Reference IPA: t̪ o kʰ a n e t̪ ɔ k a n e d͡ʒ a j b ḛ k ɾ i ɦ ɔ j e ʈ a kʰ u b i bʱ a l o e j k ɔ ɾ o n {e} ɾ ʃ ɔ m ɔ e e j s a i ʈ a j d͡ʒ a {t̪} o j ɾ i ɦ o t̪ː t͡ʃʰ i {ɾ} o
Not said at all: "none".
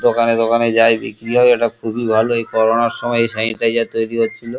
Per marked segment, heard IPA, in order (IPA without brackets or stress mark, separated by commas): a, t̪, l